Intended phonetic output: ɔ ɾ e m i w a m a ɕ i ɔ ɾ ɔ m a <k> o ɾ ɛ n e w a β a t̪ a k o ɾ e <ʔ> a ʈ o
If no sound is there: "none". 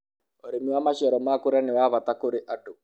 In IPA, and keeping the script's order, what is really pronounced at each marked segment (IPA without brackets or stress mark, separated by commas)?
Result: k, ʔ